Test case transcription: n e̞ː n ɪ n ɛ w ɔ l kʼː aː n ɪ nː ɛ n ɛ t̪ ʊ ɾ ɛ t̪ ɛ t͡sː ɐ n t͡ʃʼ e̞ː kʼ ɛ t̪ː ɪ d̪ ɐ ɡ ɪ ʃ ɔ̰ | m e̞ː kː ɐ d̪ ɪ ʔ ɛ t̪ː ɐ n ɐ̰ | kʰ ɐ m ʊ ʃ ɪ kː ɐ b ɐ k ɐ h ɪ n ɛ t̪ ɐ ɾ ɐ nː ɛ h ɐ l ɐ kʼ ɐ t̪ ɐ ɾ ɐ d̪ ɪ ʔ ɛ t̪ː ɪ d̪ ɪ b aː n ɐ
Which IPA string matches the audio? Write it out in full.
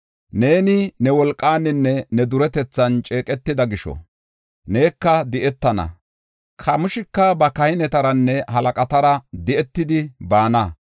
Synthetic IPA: n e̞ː n ɪ n ɛ w ɔ l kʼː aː n ɪ nː ɛ n ɛ d̪ ʊ ɾ ɛ t̪ ɛ t͡sː ɐ n t͡ʃʼ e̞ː kʼ ɛ t̪ː ɪ d̪ ɐ ɡ ɪ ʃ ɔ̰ | n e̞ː kː ɐ d̪ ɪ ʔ ɛ t̪ː ɐ n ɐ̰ | kʰ ɐ m ʊ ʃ ɪ kː ɐ b ɐ k ɐ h ɪ n ɛ t̪ ɐ ɾ ɐ nː ɛ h ɐ l ɐ kʼ ɐ t̪ ɐ ɾ ɐ d̪ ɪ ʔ ɛ t̪ː ɪ d̪ ɪ b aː n ɐ